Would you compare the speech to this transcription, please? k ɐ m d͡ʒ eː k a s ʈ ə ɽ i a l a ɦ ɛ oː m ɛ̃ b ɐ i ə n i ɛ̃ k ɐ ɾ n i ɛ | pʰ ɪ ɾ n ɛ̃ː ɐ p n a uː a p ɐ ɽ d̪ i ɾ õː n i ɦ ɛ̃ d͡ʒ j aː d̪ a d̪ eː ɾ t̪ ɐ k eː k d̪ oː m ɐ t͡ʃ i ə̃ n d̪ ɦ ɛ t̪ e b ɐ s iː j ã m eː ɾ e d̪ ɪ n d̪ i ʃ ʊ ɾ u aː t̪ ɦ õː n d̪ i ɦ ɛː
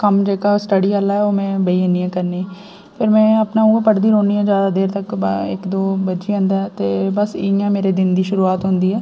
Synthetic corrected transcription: k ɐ m d͡ʒ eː k a s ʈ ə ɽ i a l a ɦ ɛ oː m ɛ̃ b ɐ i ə n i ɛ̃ k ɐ ɾ n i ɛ | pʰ ɪ ɾ m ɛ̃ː ɐ p n a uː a p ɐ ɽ d̪ i ɾ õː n i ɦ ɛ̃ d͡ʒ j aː d̪ a d̪ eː ɾ t̪ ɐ k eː k d̪ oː b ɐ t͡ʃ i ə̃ n d̪ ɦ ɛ t̪ e b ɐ s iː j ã m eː ɾ e d̪ ɪ n d̪ i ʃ ʊ ɾ u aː t̪ ɦ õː n d̪ i ɦ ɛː